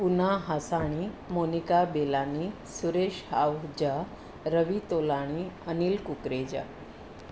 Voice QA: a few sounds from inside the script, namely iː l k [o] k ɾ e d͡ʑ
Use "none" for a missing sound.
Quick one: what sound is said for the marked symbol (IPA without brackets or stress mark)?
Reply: u